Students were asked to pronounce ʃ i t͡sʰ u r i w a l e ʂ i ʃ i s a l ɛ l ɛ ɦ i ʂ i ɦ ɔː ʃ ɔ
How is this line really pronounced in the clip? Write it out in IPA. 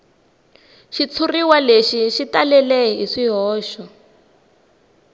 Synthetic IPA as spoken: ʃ i t͡sʰ u r i w a l e ʃ i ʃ i t a l ɛ l ɛ ɦ i ʂ i ɦ ɔː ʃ ɔ